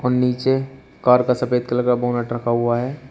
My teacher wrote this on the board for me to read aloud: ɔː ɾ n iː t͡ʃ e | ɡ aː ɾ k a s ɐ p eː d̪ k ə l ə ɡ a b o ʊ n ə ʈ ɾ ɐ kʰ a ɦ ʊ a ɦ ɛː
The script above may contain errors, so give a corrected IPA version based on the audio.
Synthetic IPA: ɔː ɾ n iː t͡ʃ e | k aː ɾ k a s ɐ p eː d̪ k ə l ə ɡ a b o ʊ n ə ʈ ɾ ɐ kʰ a ɦ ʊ a ɦ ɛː